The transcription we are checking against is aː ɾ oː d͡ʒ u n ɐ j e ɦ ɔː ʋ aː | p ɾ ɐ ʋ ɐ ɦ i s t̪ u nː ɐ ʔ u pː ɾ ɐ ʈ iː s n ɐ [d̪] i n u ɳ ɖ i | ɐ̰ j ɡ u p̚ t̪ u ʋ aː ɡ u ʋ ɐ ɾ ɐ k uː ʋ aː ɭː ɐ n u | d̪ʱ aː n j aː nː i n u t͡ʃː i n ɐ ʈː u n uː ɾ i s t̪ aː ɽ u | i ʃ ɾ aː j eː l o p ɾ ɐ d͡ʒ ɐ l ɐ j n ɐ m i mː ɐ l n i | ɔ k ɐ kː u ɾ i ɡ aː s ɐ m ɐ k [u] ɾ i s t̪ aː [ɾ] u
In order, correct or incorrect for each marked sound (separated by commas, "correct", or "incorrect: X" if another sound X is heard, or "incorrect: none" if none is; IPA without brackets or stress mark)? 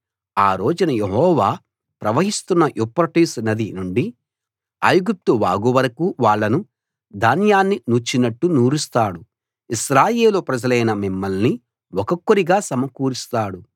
correct, incorrect: uː, incorrect: ɽ